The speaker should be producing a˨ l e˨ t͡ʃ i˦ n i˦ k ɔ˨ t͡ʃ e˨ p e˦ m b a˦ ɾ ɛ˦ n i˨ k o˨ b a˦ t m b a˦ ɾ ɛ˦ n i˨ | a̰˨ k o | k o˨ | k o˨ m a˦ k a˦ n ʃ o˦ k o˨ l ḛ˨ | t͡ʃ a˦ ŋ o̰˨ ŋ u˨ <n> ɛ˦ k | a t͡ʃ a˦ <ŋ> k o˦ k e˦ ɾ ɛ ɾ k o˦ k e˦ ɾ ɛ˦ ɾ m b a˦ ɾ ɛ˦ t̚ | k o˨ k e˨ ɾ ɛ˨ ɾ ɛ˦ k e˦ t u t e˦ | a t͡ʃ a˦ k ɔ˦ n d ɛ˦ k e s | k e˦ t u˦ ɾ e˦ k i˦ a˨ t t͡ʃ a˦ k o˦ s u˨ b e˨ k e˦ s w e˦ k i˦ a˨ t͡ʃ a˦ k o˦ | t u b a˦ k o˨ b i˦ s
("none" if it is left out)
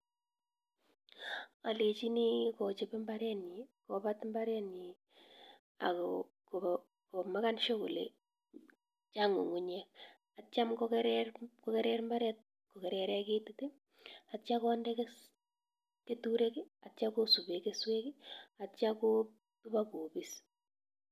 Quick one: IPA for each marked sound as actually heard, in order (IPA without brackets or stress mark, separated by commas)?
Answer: ɲ, m